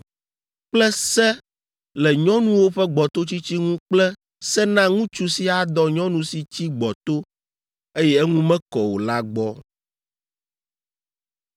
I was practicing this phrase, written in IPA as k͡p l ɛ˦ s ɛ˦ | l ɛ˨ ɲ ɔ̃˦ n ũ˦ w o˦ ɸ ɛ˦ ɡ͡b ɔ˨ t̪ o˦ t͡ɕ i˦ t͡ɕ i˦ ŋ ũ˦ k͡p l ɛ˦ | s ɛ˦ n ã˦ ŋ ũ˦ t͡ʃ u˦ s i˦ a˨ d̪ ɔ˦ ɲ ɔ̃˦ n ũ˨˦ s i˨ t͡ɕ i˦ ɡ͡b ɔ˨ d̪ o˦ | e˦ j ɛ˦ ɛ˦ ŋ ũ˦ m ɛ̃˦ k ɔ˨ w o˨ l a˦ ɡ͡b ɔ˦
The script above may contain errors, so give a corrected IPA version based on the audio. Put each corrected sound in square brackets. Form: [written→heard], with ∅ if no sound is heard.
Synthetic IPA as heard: k͡p l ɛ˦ s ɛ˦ | l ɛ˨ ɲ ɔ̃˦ n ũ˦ w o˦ ɸ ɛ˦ ɡ͡b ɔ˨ t̪ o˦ t͡ɕ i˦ t͡ɕ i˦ ŋ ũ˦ k͡p l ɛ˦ | s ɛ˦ n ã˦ ŋ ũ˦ t͡ʃ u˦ s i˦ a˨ d̪ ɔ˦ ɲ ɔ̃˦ n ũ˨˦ s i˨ t͡ɕ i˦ ɡ͡b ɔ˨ [d̪→t̪] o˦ | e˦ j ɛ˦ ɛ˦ ŋ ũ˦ m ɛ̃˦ k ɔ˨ w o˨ l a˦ ɡ͡b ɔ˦

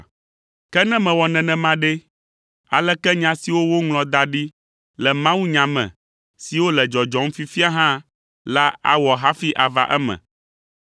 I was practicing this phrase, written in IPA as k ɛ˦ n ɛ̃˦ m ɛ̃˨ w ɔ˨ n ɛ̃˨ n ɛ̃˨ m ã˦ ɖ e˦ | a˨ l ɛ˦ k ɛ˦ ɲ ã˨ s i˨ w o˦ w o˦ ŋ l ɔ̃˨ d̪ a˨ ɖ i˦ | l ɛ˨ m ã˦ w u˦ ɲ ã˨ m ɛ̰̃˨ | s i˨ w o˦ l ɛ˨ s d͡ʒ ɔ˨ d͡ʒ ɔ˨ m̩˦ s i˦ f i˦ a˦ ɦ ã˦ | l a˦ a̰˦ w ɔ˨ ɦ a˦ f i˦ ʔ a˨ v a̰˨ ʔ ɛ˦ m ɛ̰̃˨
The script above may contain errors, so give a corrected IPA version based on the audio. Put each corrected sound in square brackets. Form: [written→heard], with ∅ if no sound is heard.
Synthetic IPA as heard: k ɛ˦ n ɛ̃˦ m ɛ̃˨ w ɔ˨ n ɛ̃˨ n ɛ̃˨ m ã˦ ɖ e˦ | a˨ l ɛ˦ k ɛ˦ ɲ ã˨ s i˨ w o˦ w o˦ ŋ l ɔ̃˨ d̪ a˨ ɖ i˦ | l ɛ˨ m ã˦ w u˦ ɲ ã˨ m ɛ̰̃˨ | s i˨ w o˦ l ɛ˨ [s→∅] d͡ʒ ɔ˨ d͡ʒ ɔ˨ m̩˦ [s→f] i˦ f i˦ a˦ ɦ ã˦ | l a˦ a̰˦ w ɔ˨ ɦ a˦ f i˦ ʔ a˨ v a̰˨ ʔ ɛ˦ m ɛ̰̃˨

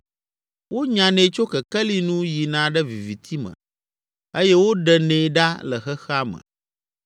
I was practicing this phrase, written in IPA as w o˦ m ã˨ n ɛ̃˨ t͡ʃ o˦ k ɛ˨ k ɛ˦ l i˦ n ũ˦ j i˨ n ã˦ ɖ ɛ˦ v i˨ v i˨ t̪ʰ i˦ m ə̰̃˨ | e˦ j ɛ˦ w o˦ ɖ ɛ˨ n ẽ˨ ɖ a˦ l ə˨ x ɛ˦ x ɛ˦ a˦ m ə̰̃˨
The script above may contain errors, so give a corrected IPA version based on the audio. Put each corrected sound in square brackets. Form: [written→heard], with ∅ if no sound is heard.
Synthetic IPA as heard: w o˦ [m→ɲ] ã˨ n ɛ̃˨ t͡ʃ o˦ k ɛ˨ k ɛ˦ l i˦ n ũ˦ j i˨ n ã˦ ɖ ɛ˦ v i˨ v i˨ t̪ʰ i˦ m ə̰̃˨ | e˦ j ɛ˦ w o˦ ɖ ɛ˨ n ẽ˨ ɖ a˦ l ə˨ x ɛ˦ x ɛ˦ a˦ m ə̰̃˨

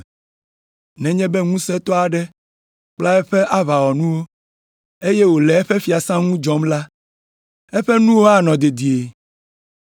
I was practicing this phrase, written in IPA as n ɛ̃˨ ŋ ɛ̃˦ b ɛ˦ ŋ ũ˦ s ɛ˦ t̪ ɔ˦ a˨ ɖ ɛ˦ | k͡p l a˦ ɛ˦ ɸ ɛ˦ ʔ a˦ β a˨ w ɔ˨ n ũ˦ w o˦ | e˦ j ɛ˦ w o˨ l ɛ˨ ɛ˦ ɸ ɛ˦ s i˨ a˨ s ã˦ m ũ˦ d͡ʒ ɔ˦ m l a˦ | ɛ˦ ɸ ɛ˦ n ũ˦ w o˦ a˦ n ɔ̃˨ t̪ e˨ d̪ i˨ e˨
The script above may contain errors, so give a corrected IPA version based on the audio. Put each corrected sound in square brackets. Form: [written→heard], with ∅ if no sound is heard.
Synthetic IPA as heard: n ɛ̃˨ [ŋ→ɲ] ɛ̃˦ b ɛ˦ ŋ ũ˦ s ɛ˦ t̪ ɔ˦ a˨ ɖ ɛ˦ | k͡p l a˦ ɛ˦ ɸ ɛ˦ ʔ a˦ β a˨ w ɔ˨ n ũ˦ w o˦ | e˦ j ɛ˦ w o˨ l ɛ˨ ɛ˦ ɸ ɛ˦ [s→f] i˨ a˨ s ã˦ [m→ŋ] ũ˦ d͡ʒ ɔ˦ m l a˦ | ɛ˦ ɸ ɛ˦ n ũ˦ w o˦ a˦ n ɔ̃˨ [t̪→d̪] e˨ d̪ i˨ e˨

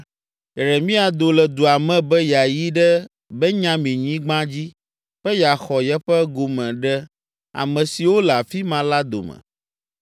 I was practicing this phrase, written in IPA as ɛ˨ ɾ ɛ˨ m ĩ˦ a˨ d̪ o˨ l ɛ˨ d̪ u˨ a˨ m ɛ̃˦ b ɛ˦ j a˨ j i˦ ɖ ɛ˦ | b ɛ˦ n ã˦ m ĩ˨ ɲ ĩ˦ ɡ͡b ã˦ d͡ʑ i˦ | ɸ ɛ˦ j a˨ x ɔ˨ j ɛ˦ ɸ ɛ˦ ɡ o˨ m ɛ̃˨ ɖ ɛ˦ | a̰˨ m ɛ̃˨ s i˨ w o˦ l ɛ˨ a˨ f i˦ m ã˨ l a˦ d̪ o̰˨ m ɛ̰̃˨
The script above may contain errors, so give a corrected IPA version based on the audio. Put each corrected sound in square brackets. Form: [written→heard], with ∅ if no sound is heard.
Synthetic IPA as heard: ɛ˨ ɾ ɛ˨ m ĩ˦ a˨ d̪ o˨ l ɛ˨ d̪ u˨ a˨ m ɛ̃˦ b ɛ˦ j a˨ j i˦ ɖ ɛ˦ | b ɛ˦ [n→ɲ] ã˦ m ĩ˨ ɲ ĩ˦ ɡ͡b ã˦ d͡ʑ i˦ | ɸ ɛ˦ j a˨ x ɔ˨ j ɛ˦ ɸ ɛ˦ ɡ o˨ m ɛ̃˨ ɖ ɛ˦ | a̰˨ m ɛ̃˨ s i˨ w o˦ l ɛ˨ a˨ f i˦ m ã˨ l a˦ d̪ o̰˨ m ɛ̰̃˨

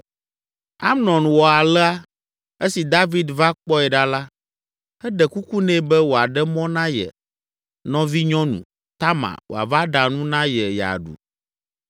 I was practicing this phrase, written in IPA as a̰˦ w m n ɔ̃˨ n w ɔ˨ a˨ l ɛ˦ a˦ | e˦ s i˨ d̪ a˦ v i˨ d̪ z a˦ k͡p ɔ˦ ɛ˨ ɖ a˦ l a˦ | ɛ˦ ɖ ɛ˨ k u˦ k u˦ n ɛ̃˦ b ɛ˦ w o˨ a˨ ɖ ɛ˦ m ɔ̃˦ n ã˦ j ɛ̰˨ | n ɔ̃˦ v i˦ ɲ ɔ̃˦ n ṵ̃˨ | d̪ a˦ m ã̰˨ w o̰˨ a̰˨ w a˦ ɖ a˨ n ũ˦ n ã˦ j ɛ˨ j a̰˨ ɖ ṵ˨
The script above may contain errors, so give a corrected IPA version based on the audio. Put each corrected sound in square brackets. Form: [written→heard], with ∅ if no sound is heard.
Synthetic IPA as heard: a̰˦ [w→∅] m n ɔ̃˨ n w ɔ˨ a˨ l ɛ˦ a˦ | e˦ s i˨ d̪ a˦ v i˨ d̪ [z→v] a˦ k͡p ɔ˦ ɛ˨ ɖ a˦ l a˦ | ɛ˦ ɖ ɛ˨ k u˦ k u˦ n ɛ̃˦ b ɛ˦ w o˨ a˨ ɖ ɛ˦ m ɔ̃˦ n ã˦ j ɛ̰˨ | n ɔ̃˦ v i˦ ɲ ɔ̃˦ n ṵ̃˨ | [d̪→t̪] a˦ m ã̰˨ w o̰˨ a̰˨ [w→v] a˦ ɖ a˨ n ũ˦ n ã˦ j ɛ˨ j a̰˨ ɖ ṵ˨

